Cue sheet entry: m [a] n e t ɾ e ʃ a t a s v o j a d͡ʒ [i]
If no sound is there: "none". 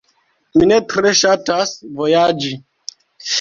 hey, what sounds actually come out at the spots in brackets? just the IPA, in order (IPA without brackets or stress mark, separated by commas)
i, i